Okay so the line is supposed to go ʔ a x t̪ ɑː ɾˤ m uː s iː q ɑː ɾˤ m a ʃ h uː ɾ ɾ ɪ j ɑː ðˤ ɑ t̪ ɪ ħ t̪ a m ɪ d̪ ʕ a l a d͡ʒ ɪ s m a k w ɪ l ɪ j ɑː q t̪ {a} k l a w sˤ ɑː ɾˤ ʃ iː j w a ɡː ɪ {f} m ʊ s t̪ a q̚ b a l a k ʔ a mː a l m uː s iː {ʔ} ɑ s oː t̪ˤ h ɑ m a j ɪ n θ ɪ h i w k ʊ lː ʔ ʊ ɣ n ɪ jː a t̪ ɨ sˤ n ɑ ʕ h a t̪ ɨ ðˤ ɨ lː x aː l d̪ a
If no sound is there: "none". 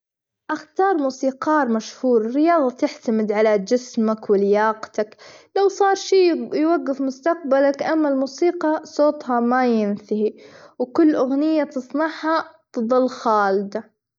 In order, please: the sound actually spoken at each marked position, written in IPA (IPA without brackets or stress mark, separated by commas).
a, f, q